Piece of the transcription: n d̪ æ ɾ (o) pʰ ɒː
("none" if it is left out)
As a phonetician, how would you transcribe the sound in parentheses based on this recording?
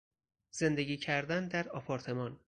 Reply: ɒ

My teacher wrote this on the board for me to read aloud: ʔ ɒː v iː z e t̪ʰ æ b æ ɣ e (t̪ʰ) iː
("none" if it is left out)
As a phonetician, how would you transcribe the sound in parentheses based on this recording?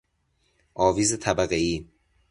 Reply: none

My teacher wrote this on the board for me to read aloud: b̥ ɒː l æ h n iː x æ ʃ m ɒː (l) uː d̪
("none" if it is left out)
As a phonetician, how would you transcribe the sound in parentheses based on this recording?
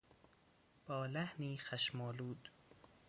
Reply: l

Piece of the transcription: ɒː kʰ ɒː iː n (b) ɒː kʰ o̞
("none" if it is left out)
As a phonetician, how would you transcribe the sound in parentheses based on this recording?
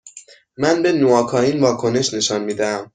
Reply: v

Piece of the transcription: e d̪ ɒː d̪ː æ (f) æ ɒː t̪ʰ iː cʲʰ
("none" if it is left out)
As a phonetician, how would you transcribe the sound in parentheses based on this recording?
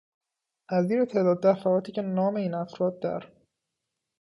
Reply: f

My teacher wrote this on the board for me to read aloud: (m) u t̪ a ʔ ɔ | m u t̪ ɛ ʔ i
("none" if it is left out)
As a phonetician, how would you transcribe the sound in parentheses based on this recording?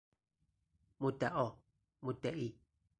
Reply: m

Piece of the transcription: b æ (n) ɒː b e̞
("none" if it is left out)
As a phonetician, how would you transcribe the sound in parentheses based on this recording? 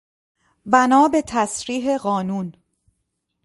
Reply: n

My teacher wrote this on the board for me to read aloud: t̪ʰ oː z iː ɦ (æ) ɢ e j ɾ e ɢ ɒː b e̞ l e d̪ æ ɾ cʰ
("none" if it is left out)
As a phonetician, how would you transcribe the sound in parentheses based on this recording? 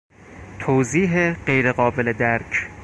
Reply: e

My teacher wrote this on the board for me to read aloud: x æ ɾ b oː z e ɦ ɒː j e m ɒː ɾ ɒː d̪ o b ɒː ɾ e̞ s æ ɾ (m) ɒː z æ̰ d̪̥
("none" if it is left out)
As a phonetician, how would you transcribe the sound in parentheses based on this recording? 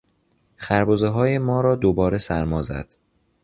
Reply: m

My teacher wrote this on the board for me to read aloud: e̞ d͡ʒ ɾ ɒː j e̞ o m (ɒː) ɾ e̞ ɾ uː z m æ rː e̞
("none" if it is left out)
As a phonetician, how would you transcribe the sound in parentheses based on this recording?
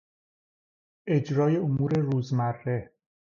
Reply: uː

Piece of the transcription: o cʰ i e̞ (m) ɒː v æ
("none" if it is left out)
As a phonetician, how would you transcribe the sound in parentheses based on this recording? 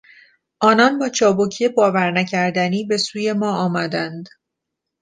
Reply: b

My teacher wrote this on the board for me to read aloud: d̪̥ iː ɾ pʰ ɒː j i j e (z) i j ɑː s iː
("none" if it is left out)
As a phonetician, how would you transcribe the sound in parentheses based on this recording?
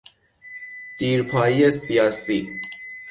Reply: s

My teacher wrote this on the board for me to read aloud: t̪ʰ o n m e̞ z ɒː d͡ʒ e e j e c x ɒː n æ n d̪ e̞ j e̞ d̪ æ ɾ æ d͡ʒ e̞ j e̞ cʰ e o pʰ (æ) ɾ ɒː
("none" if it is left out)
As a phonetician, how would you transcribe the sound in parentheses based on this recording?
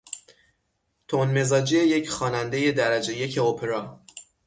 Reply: e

